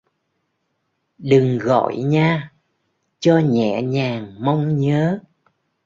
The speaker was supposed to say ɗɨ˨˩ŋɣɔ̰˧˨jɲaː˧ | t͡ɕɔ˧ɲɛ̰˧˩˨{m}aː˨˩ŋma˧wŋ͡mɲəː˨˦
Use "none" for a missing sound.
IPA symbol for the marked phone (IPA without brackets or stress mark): ɲ